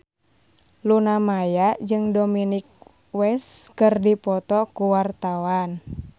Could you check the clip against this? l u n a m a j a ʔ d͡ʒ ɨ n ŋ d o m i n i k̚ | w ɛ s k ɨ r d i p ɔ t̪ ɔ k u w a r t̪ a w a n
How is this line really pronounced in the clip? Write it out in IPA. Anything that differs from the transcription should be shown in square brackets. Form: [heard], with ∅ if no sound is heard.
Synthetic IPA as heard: l u n a m a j a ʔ d͡ʒ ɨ [∅] ŋ d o m i n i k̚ | w ɛ s k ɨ r d i p ɔ t̪ ɔ k u w a r t̪ a w a n